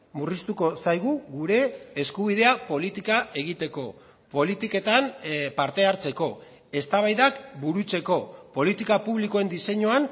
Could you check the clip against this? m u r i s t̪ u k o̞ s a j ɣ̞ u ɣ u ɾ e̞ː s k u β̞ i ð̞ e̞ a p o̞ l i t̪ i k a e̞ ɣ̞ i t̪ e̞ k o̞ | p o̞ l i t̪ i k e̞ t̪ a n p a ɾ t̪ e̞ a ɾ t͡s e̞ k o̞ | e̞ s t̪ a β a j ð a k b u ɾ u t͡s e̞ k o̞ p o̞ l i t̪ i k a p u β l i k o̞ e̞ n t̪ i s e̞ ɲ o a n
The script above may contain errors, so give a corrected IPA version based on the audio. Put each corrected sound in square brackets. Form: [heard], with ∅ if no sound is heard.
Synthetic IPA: m u r i s t̪ u k o̞ s a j ɣ̞ u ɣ u ɾ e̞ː s k u β̞ i ð̞ e̞ a p o̞ l i t̪ i k a e̞ ɣ̞ i t̪ e̞ k o̞ | p o̞ l i t̪ i k e̞ t̪ a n p a ɾ t̪ e̞ a ɾ t͡s e̞ k o̞ | e̞ s t̪ a β a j ð a k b u ɾ u t͡s e̞ k o̞ p o̞ l i t̪ i k a p u β l i k o̞ e̞ n [d̪] i s e̞ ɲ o a n